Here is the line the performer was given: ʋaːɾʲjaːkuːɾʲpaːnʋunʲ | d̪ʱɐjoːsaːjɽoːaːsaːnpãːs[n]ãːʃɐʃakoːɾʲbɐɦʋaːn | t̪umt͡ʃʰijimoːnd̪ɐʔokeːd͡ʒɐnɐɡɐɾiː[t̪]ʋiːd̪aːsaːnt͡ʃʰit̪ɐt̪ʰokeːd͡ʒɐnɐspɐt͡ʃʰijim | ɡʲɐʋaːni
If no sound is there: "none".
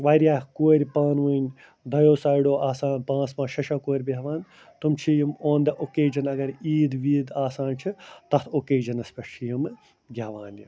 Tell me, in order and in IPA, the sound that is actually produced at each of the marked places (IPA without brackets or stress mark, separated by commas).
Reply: m, d̪